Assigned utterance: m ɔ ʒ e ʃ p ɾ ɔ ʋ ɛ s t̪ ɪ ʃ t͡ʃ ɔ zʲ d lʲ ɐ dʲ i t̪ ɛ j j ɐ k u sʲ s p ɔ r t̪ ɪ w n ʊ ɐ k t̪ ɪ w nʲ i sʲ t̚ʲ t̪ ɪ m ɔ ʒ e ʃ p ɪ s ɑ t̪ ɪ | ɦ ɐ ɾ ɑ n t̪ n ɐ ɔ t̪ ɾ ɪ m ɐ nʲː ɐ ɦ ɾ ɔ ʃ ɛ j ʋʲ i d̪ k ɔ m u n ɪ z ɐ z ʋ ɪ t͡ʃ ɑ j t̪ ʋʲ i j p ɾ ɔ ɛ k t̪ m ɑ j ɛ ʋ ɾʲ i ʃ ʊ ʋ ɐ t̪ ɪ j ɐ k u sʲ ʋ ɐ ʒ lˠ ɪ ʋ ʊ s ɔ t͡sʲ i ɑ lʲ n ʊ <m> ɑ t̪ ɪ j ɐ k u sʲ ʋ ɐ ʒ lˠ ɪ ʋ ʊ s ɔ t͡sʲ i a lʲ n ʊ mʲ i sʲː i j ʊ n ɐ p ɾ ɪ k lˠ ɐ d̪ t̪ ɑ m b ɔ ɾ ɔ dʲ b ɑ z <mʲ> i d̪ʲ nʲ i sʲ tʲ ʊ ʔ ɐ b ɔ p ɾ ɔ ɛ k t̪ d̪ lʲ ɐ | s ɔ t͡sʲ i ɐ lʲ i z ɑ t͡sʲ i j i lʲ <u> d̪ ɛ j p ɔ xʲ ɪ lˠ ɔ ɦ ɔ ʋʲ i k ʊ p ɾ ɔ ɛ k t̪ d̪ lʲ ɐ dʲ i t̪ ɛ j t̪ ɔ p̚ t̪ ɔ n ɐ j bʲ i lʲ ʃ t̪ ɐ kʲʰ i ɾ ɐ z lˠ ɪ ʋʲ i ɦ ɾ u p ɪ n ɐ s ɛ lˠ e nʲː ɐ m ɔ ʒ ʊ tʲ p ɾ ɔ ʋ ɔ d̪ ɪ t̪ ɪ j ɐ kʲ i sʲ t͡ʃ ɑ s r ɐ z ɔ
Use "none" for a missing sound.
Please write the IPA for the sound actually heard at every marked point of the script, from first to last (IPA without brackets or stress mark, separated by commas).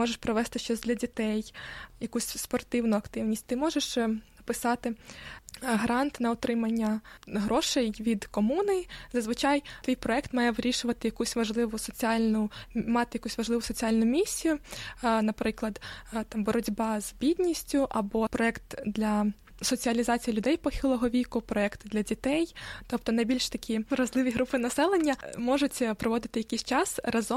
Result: m, bʲ, ʊ